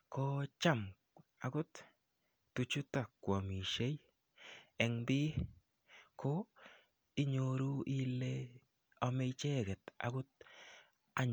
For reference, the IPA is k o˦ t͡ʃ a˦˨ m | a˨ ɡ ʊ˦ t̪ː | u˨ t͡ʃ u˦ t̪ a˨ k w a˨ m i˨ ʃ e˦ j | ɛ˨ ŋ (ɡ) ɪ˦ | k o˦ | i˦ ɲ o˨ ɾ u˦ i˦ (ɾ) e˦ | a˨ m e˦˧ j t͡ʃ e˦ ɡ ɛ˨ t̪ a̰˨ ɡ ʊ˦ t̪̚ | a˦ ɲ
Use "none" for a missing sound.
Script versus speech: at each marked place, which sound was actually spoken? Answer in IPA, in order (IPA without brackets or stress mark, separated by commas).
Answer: b, l